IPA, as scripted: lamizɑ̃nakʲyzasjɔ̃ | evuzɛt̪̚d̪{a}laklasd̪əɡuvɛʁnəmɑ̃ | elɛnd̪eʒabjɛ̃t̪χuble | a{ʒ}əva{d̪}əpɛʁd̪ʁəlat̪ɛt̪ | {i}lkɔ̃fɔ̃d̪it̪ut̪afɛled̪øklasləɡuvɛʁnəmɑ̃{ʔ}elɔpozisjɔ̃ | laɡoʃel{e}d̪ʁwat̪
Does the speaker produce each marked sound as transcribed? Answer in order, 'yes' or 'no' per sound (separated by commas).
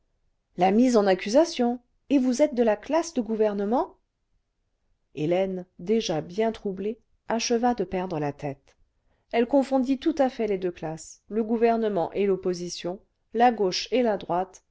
no, no, yes, no, yes, no